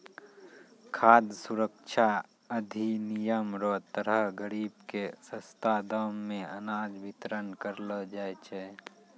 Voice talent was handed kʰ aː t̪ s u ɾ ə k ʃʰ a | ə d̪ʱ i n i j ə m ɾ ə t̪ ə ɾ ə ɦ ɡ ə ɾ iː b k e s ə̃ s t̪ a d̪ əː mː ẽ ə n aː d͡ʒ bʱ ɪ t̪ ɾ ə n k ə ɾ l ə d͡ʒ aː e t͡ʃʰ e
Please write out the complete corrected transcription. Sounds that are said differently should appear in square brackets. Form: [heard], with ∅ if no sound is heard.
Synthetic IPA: kʰ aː [d̪] s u ɾ ə k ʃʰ a | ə d̪ʱ i n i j ə m ɾ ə t̪ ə ɾ ə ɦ ɡ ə ɾ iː b k e s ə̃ s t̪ a d̪ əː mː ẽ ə n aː d͡ʒ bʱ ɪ t̪ ɾ ə n k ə ɾ l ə d͡ʒ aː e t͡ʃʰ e